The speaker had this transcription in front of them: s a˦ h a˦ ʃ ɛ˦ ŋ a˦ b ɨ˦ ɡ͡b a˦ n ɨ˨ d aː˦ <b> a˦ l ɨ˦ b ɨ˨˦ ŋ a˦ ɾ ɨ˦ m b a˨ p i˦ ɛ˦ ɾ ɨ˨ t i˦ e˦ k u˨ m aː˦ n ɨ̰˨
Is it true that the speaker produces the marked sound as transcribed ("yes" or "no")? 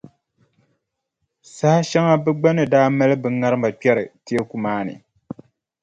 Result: no